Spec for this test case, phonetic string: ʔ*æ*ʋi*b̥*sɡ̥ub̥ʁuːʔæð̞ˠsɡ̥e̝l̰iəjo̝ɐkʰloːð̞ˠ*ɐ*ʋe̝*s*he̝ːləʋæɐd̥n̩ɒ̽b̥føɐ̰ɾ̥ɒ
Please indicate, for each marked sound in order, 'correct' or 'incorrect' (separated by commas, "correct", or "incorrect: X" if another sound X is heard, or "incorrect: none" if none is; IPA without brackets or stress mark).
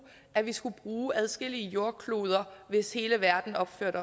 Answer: correct, incorrect: none, correct, correct